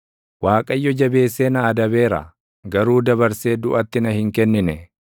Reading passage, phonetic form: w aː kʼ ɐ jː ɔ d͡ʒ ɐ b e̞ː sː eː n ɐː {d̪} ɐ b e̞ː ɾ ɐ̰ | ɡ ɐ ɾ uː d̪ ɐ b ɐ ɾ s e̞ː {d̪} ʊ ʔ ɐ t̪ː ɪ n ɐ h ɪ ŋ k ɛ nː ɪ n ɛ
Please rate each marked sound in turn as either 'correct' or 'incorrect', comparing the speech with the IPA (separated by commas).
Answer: correct, correct